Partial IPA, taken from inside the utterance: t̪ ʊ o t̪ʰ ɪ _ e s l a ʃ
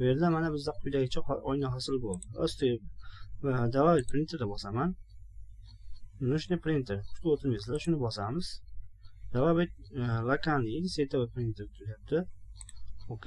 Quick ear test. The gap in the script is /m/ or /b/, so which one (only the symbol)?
m